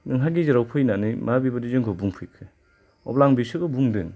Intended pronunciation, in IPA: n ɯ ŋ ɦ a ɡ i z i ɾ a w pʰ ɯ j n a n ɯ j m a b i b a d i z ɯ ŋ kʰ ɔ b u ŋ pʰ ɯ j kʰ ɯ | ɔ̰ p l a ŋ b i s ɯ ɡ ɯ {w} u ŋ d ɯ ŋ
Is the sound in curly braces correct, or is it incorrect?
incorrect: b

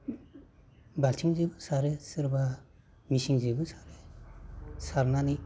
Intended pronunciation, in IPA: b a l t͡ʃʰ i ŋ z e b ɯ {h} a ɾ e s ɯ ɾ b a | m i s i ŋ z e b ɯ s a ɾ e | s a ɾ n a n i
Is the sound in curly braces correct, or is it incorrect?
incorrect: s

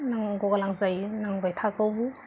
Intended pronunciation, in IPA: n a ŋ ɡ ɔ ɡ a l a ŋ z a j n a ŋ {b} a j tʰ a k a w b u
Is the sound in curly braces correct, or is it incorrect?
correct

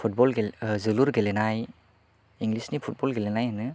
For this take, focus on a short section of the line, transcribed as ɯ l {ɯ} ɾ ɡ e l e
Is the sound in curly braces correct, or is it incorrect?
incorrect: u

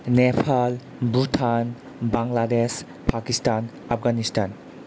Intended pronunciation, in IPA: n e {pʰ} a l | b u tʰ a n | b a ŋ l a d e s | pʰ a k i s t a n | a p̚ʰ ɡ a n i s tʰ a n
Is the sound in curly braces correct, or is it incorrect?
correct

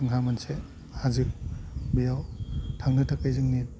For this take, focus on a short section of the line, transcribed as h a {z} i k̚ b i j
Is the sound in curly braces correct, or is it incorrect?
correct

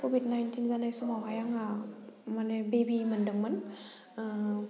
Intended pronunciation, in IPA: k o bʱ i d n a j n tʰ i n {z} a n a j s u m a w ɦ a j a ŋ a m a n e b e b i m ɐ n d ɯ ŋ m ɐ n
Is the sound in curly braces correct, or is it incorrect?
correct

